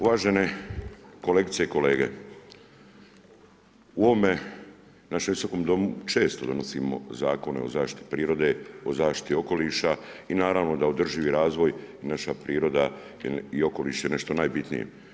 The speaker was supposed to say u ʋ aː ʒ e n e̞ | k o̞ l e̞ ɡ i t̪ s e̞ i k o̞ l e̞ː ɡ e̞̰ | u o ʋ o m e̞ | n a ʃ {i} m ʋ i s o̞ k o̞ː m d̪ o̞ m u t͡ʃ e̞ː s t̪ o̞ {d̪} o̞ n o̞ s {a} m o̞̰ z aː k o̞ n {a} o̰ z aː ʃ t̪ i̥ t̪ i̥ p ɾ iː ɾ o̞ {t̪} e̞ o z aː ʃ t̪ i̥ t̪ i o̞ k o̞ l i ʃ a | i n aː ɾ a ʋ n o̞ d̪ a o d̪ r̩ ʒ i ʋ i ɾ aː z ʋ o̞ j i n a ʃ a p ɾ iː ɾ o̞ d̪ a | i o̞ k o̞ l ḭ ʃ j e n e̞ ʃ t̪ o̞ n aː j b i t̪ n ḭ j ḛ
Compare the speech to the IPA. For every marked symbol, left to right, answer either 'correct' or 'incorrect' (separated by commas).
incorrect, correct, incorrect, incorrect, incorrect